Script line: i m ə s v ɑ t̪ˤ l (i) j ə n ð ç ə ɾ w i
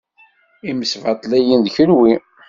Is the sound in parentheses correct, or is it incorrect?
incorrect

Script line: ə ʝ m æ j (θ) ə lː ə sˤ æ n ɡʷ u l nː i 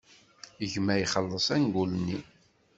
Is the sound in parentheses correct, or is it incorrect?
incorrect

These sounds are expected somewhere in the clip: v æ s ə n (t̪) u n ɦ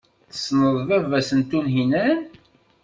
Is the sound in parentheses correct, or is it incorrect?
correct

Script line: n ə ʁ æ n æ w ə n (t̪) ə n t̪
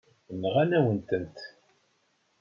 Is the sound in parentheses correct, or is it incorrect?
correct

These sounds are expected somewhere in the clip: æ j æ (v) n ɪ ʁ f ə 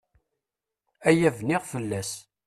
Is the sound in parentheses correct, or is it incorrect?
correct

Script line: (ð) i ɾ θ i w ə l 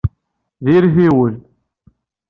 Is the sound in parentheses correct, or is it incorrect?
correct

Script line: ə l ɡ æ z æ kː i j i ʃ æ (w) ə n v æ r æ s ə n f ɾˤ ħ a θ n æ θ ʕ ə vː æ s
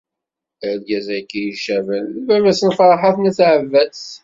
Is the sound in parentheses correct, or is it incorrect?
incorrect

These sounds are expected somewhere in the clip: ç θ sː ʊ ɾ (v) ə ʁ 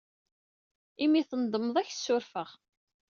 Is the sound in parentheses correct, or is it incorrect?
incorrect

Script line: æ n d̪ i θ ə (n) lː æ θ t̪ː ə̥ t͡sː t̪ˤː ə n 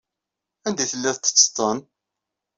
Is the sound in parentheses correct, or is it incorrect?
incorrect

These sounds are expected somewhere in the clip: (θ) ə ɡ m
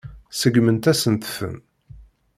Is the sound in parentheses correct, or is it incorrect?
incorrect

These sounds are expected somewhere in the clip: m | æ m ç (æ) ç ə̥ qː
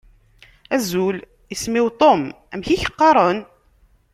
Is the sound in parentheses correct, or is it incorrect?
incorrect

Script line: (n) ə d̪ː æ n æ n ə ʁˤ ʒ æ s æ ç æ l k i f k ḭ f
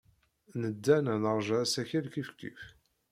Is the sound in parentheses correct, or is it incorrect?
correct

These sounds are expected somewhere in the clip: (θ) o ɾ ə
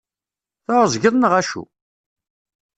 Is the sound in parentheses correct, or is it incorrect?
correct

